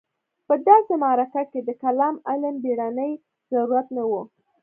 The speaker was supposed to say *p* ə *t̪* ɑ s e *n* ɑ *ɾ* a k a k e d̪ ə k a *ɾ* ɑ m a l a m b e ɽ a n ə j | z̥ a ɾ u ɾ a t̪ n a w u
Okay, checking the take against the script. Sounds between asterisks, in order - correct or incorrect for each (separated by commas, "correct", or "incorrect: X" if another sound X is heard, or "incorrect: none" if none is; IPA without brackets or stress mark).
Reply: correct, incorrect: d̪, incorrect: m, correct, incorrect: l